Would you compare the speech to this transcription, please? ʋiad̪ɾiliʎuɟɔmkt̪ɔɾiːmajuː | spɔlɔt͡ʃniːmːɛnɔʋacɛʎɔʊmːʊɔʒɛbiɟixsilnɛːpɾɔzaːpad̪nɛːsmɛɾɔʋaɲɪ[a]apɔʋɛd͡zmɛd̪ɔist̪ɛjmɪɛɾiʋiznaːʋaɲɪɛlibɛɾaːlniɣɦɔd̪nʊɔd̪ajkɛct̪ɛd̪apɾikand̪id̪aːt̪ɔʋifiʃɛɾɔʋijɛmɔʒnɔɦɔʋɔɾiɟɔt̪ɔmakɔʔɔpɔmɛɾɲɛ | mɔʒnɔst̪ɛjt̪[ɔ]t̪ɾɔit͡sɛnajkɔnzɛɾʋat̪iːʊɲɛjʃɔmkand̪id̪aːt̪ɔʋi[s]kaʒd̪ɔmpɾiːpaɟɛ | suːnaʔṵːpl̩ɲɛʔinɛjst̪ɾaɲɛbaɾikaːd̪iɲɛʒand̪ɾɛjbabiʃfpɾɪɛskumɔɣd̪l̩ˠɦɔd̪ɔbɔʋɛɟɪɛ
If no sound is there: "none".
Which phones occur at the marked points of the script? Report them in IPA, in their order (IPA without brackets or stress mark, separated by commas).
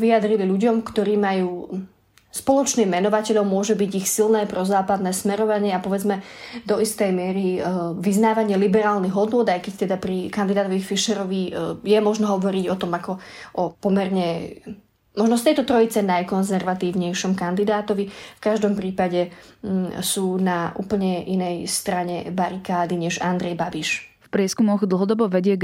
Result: ɛ, ɔ, f